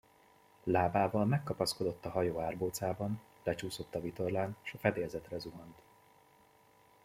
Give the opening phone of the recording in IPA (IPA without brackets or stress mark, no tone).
l